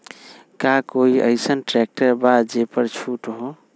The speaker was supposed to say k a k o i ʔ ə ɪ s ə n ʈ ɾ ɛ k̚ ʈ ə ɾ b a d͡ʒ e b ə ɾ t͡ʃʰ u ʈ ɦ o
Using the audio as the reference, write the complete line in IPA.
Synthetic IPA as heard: k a k o i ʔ ə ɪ s ə n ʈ ɾ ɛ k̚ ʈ ə ɾ b a d͡ʒ e p ə ɾ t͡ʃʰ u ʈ ɦ o